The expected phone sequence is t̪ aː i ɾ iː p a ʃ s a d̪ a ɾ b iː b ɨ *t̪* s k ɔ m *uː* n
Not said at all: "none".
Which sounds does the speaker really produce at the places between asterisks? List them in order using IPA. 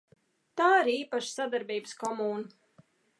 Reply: none, uː

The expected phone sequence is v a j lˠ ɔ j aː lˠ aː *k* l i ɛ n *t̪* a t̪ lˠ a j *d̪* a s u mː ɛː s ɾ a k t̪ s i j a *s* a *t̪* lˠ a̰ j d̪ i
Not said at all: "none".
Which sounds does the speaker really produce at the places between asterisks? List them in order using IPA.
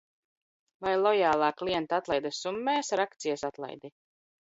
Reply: k, t̪, d̪, s, t̪

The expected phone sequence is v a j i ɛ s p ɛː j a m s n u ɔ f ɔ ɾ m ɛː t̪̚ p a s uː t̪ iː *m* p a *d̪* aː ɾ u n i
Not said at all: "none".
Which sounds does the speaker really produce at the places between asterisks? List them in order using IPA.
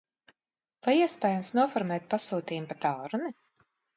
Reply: m, t̪

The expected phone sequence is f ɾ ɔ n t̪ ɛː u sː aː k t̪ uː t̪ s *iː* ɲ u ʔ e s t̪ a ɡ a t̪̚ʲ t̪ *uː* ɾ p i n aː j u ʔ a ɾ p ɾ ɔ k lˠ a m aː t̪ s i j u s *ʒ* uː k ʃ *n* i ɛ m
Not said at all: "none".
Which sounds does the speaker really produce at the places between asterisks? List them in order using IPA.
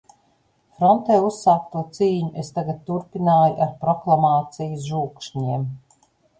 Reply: iː, u, ʒ, ɲ

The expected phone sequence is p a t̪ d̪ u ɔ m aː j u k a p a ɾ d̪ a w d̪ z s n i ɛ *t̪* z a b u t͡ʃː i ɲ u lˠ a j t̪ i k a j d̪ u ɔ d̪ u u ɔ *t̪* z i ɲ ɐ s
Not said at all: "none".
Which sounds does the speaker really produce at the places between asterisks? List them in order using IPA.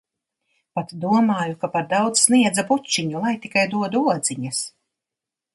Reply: d̪, d̪

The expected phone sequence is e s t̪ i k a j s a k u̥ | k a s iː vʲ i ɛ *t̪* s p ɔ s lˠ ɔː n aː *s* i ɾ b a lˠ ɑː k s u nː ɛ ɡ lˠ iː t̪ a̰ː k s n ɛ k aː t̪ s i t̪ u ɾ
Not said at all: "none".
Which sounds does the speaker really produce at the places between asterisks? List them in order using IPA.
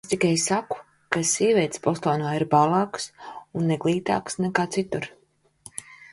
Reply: t̪, none

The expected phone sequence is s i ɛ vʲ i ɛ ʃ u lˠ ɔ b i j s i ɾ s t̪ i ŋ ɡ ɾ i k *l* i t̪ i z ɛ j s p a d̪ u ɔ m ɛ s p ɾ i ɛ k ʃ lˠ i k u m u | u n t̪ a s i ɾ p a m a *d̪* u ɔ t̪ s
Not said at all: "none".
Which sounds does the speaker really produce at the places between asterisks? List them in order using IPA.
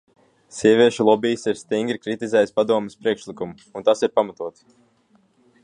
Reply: ɾ, t̪

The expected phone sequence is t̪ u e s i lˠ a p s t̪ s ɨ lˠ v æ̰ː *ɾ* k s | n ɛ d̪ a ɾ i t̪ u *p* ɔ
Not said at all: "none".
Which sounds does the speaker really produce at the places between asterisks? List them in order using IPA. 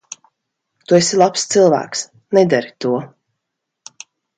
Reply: none, none

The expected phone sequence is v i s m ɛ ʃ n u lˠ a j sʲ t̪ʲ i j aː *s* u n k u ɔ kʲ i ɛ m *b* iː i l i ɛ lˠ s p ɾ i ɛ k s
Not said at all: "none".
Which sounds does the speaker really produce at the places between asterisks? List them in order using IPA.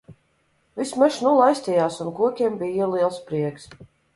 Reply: s, b

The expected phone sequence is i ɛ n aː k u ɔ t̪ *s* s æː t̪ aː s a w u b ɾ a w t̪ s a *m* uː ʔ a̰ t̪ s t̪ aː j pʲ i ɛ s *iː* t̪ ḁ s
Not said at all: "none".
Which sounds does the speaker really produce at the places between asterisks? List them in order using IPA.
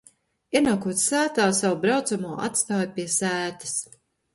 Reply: s, m, æː

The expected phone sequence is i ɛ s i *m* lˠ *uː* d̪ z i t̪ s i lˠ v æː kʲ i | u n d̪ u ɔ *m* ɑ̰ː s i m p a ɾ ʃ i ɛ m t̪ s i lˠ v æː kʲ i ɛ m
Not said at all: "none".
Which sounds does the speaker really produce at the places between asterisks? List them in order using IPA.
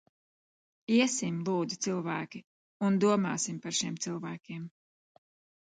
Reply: m, uː, m

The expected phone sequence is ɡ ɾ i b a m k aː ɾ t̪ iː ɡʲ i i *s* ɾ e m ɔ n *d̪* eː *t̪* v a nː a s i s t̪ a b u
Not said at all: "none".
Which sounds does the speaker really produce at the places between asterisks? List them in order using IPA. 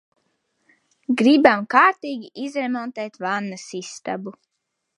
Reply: z, t̪, t̪

